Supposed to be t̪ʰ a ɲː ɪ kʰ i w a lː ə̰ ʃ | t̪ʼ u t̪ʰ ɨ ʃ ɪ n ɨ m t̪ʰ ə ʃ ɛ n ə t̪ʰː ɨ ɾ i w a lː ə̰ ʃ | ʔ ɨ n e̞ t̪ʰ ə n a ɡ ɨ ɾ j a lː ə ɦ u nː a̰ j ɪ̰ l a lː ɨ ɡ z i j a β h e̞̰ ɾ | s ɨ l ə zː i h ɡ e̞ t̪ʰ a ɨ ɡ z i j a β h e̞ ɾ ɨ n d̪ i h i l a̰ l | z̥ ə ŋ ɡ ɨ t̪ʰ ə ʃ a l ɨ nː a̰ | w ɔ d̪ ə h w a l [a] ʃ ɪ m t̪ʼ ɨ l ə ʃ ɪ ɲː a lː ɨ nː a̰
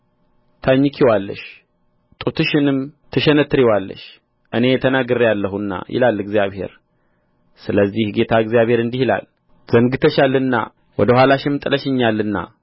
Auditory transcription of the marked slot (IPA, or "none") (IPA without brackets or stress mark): a